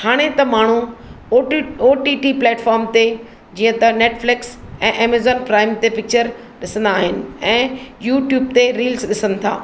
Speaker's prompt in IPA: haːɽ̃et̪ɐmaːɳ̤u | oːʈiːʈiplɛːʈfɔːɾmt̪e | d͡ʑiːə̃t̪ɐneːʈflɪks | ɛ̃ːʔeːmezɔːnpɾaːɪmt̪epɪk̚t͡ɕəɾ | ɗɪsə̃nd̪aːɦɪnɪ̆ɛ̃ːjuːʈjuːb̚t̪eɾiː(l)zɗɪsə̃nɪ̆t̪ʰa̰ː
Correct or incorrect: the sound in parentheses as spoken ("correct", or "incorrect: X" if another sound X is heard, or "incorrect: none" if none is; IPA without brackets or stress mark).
correct